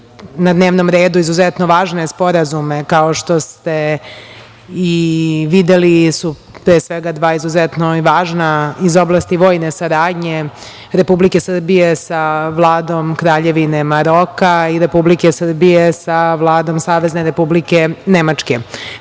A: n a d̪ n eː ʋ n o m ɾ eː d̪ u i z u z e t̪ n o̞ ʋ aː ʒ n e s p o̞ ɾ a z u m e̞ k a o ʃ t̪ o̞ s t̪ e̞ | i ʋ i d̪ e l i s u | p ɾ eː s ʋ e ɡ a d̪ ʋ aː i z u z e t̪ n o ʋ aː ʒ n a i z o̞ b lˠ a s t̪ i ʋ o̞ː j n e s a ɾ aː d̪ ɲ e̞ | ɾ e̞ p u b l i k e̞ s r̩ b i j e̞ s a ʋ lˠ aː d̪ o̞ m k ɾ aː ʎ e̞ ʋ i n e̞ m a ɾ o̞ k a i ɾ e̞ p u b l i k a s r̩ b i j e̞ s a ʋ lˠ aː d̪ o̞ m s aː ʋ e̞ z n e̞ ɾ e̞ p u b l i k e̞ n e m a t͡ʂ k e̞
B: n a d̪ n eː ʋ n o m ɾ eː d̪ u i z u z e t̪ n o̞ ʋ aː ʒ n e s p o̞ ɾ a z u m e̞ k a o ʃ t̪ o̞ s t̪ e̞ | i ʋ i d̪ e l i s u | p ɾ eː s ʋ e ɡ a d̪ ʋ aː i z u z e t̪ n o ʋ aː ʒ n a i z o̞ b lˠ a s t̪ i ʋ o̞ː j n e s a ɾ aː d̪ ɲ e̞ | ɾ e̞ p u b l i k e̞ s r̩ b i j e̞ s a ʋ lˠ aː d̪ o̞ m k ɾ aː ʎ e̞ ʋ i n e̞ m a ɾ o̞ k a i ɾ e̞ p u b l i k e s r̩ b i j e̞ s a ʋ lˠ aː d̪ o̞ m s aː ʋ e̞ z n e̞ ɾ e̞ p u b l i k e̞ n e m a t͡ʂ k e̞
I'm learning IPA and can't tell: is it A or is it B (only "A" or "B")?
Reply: B